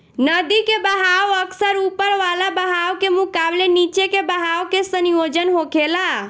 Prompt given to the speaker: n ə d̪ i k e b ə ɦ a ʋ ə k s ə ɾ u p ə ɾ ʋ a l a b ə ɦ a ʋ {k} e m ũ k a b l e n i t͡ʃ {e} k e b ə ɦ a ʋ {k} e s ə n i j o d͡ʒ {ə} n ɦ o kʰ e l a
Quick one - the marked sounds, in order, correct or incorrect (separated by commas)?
correct, correct, correct, correct